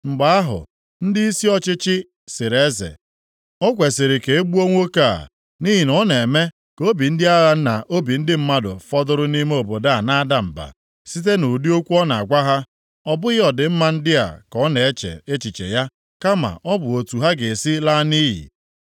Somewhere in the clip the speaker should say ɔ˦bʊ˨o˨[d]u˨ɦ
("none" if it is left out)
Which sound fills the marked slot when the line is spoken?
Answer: t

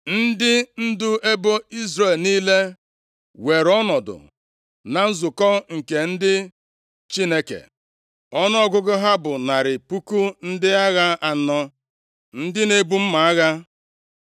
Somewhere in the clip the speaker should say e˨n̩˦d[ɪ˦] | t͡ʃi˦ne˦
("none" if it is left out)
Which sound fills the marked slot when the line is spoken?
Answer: ɪ˦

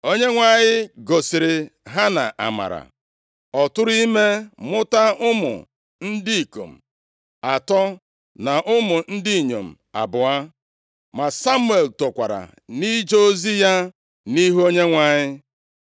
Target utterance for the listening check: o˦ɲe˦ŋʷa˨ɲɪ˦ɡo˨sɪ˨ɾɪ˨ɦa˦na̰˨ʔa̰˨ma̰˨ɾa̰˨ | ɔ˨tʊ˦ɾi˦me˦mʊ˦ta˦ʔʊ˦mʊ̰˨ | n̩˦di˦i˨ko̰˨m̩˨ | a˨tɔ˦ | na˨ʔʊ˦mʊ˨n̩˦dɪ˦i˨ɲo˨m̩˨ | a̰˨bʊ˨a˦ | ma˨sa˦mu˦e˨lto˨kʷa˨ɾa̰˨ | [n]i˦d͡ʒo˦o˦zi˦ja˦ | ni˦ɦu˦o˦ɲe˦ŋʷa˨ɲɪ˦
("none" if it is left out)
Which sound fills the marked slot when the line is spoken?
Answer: n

